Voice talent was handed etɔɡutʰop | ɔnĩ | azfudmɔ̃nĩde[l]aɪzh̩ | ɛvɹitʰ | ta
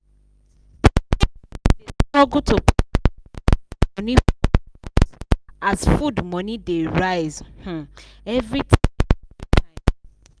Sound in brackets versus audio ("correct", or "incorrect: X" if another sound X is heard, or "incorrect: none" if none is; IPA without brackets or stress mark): incorrect: ɹ